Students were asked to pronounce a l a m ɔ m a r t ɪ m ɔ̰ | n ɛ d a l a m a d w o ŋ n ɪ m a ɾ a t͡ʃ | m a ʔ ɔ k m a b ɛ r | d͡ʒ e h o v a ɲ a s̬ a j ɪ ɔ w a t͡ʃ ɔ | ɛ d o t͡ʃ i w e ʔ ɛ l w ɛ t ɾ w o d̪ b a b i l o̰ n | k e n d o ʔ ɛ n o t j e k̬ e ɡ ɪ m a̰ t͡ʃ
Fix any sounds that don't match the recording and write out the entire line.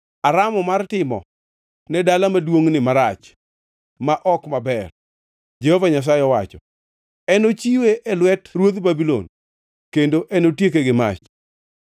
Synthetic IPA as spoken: a ɾ a m ɔ m a r t ɪ m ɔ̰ | n ɛ d a l a m a d w o ŋ n ɪ m a ɾ a t͡ʃ | m a ʔ ɔ k m a b ɛ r | d͡ʒ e h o v a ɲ a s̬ a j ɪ ɔ w a t͡ʃ ɔ | ɛ n o t͡ʃ i w e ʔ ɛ l w ɛ t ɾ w o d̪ b a b i l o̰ n | k e n d o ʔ ɛ n o t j e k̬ e ɡ ɪ m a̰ t͡ʃ